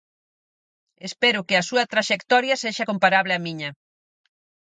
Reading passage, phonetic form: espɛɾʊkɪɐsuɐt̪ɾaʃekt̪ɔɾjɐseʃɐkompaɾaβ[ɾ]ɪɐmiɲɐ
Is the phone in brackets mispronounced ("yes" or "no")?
yes